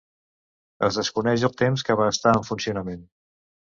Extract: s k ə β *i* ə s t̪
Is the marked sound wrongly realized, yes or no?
yes